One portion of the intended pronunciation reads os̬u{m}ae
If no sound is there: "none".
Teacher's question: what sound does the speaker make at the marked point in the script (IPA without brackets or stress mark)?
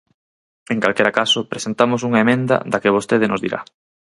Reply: ŋ